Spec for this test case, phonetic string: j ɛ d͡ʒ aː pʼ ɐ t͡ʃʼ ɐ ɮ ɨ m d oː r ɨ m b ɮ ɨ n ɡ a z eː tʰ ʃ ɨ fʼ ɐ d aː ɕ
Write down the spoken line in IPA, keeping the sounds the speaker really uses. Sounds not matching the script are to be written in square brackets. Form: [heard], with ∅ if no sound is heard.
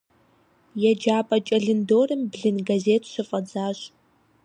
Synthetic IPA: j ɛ d͡ʒ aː pʼ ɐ t͡ʃʼ ɐ ɮ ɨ [n] d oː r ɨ m b ɮ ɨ n ɡ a z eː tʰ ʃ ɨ fʼ ɐ [d͡z] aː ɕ